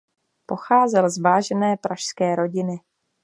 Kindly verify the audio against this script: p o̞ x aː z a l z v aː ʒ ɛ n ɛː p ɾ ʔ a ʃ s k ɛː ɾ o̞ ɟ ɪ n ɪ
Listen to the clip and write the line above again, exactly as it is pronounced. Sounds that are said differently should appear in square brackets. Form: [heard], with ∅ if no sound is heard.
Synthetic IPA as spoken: p o̞ x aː z [ɛ] l z v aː ʒ ɛ n ɛː p ɾ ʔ a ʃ s k ɛː ɾ o̞ ɟ ɪ n ɪ